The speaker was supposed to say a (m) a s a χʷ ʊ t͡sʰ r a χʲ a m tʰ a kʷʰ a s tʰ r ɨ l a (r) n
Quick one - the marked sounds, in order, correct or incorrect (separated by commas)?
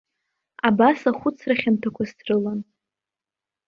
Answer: incorrect, incorrect